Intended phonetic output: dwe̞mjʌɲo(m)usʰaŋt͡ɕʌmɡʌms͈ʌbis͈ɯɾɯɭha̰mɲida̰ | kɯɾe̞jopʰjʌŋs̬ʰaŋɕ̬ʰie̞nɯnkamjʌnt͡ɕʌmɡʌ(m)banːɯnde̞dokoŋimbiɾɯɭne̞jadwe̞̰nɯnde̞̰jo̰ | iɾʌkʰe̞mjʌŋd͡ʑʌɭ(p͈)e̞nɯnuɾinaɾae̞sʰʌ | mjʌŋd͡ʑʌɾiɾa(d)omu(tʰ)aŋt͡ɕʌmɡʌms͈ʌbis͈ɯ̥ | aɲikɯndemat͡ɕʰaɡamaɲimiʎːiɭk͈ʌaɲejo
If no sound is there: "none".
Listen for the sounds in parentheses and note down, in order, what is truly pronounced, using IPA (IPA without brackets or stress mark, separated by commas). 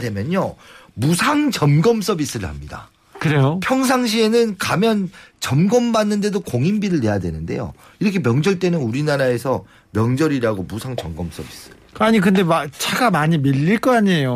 m, m, t͈, ɡ, sʰ